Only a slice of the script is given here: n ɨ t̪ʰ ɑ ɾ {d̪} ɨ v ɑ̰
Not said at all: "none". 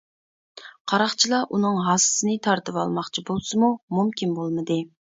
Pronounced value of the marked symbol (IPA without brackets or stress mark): t̪